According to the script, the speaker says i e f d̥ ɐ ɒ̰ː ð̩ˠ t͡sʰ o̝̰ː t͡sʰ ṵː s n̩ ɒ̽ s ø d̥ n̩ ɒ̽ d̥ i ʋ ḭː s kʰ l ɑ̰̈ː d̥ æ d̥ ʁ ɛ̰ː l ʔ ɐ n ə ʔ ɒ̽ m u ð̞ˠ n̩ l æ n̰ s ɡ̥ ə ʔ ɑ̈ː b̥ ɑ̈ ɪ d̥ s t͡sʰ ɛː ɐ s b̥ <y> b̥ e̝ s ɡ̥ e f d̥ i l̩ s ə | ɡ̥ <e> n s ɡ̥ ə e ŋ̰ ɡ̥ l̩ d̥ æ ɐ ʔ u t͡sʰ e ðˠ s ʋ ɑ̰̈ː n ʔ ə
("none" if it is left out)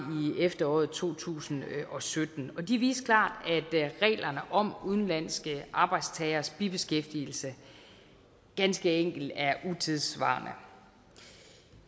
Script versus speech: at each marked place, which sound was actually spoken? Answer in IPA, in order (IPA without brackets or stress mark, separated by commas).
i, æ